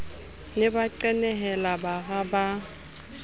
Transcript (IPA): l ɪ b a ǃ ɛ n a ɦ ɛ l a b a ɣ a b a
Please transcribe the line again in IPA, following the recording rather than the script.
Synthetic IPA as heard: l ɪ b a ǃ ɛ n ɛ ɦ ɛ l a b a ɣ a b a